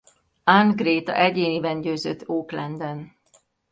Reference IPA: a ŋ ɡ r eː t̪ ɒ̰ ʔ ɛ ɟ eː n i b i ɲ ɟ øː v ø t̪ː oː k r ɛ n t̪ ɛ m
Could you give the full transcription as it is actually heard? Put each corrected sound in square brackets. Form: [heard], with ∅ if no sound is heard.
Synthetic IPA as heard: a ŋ ɡ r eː t̪ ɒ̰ ʔ ɛ ɟ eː n i b [ɛ] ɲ ɟ øː [z] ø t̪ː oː k [l] ɛ n [d̪] ɛ [n]

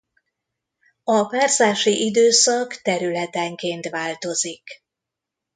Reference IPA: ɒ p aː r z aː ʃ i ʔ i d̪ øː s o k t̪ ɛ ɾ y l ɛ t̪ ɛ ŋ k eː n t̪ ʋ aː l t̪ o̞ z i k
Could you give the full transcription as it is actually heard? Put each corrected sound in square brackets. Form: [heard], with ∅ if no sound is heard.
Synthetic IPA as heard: ɒ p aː r z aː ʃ i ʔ i d̪ øː s [ɒ] k t̪ ɛ ɾ y l ɛ t̪ ɛ ŋ k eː n t̪ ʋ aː l t̪ o̞ z i k

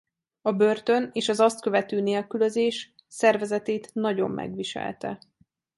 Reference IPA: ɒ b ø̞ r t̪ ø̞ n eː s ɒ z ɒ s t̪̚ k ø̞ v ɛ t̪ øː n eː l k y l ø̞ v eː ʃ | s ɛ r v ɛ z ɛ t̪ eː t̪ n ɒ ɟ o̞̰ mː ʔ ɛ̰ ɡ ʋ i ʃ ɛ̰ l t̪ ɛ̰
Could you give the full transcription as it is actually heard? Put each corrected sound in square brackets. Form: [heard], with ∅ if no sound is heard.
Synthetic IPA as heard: ɒ b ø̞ r t̪ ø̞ n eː [ʃ] ɒ z ɒ s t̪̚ k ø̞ v ɛ t̪ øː n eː l k y l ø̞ [z] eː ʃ | s ɛ r v ɛ z ɛ t̪ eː t̪ n ɒ ɟ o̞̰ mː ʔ ɛ̰ ɡ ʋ i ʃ ɛ̰ l t̪ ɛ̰

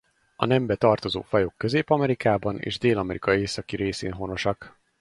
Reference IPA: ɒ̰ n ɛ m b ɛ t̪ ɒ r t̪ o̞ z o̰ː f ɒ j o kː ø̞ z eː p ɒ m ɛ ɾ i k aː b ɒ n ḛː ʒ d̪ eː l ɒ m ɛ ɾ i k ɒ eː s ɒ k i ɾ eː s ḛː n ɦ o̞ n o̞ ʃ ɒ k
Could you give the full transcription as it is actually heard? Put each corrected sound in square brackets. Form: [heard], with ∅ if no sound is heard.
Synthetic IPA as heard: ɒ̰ n ɛ m b ɛ t̪ ɒ r t̪ o̞ z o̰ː f ɒ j o kː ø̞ z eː p ɒ m ɛ ɾ i k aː b ɒ n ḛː ʒ d̪ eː l ɒ m ɛ ɾ i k ɒ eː s ɒ k i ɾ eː s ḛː n ɦ o̞ n o̞ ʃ ɒ k

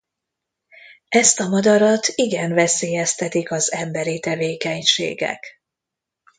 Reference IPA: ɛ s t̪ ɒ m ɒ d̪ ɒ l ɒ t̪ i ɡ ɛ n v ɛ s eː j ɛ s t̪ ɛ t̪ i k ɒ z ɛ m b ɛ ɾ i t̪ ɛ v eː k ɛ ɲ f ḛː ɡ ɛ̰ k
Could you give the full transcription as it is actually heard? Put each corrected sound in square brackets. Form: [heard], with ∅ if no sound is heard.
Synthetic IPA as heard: ɛ s t̪ ɒ m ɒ d̪ ɒ [ɾ] ɒ t̪ i ɡ ɛ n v ɛ s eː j ɛ s t̪ ɛ t̪ i k ɒ z ɛ m b ɛ ɾ i t̪ ɛ v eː k ɛ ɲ [ʃ] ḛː ɡ ɛ̰ k

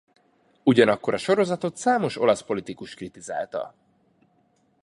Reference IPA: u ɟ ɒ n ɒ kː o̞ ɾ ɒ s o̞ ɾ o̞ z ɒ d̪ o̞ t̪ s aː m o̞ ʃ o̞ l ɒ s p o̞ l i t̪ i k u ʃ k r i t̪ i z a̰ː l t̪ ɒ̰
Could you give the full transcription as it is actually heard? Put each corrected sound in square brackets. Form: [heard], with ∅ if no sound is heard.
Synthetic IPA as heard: u ɟ ɒ n ɒ kː o̞ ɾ ɒ [ʃ] o̞ ɾ o̞ z ɒ [t̪] o̞ t̪ s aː m o̞ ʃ o̞ l ɒ s p o̞ l i t̪ i k u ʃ k r i t̪ i z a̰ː l t̪ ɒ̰

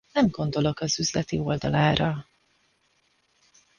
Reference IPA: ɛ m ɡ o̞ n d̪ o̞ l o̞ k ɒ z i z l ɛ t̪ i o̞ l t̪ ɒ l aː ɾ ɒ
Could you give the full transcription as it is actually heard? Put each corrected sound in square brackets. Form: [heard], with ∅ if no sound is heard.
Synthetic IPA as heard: ɛ m ɡ o̞ n d̪ o̞ l o̞ k ɒ z [y] z l ɛ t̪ i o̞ l [d̪] ɒ l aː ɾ ɒ

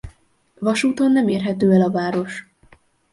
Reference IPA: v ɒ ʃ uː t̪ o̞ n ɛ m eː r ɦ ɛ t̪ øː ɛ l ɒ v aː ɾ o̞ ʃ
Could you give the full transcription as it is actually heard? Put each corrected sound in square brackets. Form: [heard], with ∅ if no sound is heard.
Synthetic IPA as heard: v ɒ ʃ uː t̪ o̞ [nː] ɛ m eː r ɦ ɛ t̪ øː ɛ l ɒ v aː ɾ o̞ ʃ

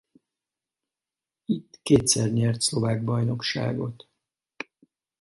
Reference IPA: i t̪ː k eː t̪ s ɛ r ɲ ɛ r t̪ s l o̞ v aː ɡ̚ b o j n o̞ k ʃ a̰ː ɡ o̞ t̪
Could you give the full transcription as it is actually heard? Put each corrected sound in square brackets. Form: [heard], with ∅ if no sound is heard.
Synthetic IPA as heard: i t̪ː k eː t̪ s ɛ r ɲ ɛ r t̪ s l o̞ v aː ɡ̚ b [ɒ] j n o̞ k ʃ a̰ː ɡ o̞ t̪

